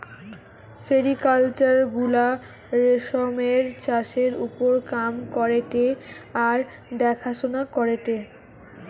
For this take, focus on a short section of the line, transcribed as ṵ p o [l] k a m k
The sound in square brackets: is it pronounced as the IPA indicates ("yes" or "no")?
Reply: no